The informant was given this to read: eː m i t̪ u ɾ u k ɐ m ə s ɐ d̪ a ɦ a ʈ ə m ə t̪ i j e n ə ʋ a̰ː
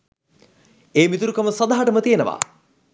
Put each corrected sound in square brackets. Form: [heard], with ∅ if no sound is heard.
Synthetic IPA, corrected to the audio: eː m i t̪ u ɾ u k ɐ m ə s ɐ d̪ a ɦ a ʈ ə m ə t̪ i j e n ə ʋ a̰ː